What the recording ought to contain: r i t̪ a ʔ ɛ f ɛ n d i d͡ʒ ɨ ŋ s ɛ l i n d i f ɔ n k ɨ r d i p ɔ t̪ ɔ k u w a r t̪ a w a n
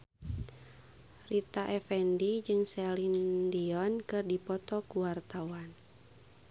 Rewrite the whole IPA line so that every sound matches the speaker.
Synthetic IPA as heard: r i t̪ a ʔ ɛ f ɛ n d i d͡ʒ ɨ ŋ s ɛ l i n d i ɔ n k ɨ r d i p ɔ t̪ ɔ k u w a r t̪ a w a n